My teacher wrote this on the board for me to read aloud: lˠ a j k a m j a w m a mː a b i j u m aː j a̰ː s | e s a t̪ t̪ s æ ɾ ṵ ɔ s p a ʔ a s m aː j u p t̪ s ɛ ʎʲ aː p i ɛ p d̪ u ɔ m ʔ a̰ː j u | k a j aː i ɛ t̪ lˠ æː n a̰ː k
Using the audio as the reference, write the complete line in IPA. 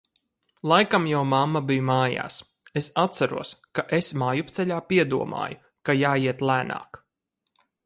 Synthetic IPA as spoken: lˠ a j k a m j a w m a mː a b i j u m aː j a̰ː s | e s a t̪ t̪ s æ ɾ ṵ ɔ s k a ʔ e s m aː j u p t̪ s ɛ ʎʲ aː p i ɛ d̪ u ɔ m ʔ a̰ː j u | k a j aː i ɛ t̪ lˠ æː n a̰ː k